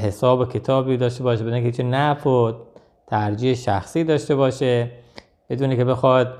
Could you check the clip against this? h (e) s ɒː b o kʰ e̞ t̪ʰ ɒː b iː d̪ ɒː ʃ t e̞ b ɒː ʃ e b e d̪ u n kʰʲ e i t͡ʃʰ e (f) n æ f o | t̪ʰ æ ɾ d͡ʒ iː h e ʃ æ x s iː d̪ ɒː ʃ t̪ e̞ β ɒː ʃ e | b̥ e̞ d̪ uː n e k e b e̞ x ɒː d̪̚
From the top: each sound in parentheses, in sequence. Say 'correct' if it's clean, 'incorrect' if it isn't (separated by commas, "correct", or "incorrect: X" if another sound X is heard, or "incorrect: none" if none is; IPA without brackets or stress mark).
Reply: correct, incorrect: none